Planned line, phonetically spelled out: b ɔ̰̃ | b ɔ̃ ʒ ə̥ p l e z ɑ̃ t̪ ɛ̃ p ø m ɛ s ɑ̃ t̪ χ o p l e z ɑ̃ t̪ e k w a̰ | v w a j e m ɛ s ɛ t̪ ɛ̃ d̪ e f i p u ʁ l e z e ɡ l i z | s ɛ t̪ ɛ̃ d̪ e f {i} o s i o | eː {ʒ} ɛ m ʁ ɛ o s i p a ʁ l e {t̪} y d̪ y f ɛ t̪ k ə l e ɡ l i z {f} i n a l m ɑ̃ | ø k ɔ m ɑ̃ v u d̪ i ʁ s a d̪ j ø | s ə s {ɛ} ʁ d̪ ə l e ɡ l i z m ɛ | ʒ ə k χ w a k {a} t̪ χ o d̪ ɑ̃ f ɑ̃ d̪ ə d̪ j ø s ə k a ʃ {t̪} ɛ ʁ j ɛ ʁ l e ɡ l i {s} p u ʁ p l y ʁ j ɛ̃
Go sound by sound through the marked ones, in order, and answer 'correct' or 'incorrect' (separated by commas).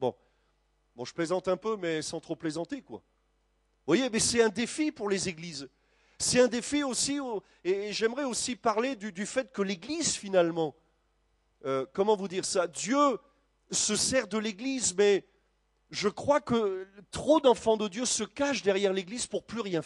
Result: correct, correct, incorrect, correct, correct, incorrect, incorrect, incorrect